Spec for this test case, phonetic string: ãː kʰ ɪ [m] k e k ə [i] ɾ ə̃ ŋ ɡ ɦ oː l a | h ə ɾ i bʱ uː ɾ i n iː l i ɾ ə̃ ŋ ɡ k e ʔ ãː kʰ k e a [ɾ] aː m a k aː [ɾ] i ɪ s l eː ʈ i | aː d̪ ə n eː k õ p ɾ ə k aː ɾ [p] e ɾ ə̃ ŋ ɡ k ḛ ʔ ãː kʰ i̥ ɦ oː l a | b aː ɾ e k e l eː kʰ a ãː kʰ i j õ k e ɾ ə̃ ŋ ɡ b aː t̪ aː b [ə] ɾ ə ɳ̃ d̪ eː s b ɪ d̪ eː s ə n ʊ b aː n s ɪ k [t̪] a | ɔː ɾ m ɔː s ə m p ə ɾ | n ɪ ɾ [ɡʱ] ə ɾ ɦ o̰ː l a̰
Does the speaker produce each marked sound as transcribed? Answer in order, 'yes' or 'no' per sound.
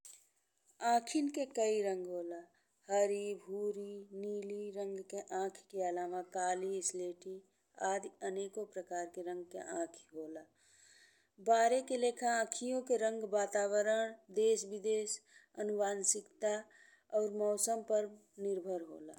no, yes, no, no, no, yes, yes, no

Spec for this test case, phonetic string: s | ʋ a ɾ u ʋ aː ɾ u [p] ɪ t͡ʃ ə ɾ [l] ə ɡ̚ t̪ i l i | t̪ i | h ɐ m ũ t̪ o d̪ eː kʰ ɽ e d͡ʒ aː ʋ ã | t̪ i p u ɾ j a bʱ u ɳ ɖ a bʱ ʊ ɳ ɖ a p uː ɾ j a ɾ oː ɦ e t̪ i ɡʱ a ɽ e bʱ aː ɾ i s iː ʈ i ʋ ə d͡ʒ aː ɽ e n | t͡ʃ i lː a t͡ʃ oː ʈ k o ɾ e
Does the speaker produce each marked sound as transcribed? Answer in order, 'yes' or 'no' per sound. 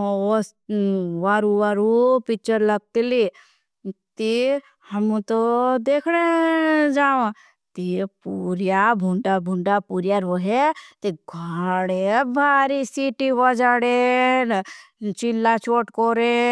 yes, yes

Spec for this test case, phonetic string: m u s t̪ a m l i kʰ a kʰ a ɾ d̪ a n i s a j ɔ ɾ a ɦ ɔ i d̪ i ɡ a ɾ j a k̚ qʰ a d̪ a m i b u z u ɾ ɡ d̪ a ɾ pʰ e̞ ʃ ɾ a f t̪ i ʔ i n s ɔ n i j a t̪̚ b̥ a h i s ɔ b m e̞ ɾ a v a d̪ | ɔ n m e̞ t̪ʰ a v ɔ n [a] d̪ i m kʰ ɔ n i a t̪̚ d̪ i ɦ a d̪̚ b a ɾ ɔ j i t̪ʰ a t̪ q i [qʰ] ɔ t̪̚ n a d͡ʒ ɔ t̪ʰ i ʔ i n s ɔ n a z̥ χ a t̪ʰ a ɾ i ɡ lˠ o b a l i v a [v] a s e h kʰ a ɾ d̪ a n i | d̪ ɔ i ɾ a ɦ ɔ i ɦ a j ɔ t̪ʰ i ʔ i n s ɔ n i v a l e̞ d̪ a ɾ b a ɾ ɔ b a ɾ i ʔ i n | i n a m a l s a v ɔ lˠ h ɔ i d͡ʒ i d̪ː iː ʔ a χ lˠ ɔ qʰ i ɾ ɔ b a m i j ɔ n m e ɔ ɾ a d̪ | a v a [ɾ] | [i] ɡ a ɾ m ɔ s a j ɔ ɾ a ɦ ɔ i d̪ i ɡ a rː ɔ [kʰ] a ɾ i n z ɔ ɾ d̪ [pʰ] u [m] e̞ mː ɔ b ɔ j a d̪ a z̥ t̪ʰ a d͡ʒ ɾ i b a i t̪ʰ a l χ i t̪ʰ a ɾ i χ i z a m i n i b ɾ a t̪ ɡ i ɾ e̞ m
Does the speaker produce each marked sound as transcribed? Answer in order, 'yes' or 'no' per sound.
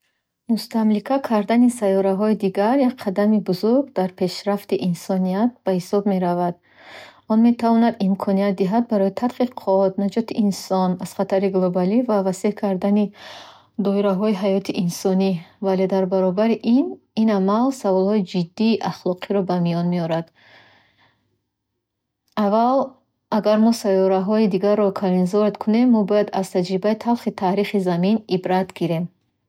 yes, yes, yes, no, no, yes, no, no

